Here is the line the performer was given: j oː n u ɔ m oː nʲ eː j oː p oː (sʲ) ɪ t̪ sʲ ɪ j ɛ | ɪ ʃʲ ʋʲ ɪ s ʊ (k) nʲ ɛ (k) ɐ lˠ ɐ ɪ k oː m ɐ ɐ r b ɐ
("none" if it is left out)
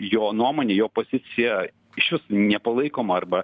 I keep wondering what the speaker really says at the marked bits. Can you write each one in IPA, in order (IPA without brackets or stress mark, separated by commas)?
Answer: zʲ, none, p